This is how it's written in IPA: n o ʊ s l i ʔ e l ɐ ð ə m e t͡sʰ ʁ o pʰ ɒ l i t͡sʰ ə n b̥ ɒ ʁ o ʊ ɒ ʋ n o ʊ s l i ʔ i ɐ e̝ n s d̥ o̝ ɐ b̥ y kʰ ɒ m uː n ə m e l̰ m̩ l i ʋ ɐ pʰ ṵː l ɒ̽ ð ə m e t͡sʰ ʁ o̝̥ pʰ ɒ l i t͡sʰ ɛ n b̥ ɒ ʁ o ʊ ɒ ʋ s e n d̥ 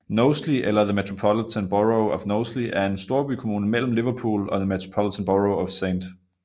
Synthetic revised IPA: n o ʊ s l i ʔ e l ɐ ð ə m e t͡sʰ ʁ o pʰ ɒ l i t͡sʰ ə n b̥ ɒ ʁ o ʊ ɒ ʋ n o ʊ s l i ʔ æ ɐ e̝ n s d̥ o̝ ɐ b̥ y kʰ o m uː n ə m e l̰ m̩ l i ʋ ɐ pʰ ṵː l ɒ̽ ð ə m e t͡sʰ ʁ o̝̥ pʰ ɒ l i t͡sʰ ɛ n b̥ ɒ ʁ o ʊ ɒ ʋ s e n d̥